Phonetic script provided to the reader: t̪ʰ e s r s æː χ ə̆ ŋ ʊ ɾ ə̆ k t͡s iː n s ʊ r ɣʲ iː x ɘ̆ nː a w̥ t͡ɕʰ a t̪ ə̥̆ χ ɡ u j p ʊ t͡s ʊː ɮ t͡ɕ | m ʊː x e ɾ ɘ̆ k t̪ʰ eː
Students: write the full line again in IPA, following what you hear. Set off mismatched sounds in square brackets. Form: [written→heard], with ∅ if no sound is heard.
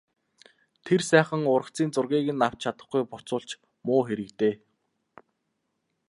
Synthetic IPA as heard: t̪ʰ e [s→∅] r s æː χ ə̆ ŋ ʊ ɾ ə̆ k t͡s iː n [s→t͡s] ʊ r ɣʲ iː [x→ɣ] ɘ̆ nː a w̥ t͡ɕʰ a t̪ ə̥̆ χ ɡ u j p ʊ t͡s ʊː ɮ t͡ɕ | m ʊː x e ɾ ɘ̆ k [t̪ʰ→t̪] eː